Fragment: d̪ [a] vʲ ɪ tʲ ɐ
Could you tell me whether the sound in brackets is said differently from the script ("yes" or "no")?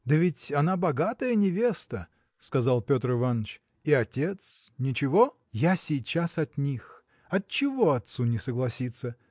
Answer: yes